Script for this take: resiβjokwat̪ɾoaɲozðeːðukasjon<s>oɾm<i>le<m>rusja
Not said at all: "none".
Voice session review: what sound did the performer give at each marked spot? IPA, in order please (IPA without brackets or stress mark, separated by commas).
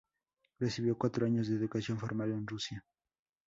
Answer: f, a, n